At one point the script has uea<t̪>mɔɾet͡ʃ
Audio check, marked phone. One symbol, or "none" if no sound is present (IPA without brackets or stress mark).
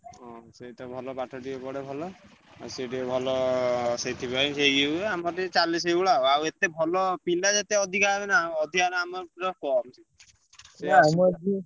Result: none